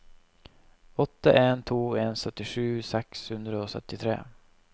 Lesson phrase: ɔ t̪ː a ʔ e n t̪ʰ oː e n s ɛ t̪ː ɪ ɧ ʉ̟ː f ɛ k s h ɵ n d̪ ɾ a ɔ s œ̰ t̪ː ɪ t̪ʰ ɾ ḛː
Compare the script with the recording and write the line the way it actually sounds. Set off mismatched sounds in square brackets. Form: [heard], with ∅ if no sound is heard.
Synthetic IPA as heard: ɔ t̪ː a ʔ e n t̪ʰ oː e n s [œ] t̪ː ɪ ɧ ʉ̟ː [s] ɛ k s h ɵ n d̪ ɾ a ɔ s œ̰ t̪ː ɪ t̪ʰ ɾ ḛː